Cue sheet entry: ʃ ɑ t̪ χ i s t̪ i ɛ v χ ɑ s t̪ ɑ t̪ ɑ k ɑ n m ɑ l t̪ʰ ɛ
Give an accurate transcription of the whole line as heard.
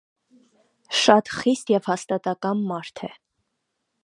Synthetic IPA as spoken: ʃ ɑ t̪ χ i s t̪ j ɛ v h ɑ s t̪ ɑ t̪ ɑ k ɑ n m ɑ ɾ t̪ʰ ɛ